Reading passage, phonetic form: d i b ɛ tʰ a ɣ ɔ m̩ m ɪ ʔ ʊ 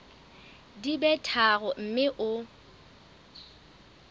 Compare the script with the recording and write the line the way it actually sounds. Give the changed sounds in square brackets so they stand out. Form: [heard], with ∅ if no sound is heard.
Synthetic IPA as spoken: d i b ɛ tʰ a ɣ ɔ m̩ m ɪ ʔ ʊ

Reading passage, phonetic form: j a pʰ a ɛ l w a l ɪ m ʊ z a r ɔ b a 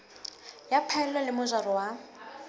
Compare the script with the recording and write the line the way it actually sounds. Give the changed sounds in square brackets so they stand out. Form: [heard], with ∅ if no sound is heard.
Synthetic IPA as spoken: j a pʰ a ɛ l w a l ɪ m ʊ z a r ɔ [w] a

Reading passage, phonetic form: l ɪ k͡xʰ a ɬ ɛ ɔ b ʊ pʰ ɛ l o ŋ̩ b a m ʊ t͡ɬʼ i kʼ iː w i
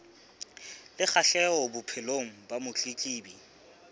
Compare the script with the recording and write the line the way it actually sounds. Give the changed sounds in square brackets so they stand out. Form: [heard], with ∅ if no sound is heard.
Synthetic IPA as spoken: l ɪ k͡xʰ a ɬ ɛ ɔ b ʊ pʰ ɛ l o ŋ̩ b a m ʊ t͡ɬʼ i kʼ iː [b] i

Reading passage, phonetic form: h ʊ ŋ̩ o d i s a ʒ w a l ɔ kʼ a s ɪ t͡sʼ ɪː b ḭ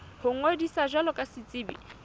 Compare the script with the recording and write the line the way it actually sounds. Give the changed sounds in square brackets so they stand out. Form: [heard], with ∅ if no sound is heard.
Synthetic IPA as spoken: h ʊ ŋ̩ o d i s a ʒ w a l ɔ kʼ a s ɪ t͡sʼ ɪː b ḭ

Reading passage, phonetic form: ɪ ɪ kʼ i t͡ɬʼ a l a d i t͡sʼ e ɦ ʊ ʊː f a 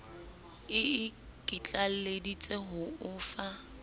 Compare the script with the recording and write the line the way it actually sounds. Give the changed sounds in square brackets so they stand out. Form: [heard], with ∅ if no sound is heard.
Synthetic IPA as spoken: ɪ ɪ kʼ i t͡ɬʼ a l [e] d i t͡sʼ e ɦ ʊ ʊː f a

